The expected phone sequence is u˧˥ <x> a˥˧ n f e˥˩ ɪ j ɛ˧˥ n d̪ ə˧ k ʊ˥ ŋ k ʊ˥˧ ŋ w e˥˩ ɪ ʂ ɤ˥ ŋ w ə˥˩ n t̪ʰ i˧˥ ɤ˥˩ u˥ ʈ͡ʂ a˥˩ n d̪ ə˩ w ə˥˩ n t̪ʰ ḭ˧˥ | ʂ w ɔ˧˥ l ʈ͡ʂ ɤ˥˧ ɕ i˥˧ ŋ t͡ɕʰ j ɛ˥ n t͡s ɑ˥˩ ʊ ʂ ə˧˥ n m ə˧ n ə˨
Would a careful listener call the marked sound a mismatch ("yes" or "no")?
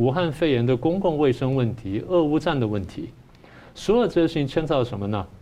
no